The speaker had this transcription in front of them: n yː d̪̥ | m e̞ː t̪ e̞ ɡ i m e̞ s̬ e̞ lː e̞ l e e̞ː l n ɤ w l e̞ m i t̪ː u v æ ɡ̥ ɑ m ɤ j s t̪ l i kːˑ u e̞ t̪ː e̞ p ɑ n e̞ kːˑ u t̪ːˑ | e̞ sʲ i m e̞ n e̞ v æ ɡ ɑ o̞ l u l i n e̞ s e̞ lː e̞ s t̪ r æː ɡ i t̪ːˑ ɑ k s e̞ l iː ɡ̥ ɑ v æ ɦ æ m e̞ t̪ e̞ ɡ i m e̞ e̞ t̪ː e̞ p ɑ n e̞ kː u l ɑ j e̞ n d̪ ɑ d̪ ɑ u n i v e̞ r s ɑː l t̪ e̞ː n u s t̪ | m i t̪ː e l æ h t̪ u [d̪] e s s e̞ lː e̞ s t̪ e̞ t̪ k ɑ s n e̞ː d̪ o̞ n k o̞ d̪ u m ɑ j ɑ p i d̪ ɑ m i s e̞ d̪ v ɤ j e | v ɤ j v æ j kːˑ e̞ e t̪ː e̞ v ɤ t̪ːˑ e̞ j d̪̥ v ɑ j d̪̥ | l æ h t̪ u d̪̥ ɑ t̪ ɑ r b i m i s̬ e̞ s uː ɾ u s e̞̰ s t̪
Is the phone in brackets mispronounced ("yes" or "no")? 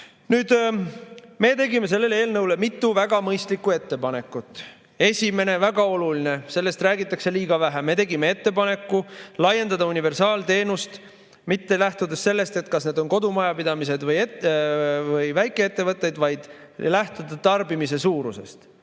no